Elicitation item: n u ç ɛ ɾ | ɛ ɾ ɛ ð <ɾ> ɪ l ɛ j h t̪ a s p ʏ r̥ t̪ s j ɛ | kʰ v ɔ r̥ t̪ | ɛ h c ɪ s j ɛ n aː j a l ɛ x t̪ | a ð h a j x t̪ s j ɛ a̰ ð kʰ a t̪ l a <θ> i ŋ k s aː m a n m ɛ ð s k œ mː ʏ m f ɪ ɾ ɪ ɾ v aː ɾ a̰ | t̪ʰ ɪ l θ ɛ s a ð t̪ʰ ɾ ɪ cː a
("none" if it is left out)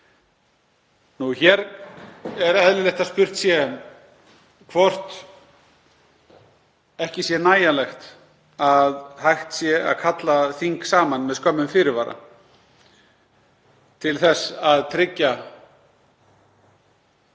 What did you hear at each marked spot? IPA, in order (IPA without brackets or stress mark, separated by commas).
l, θ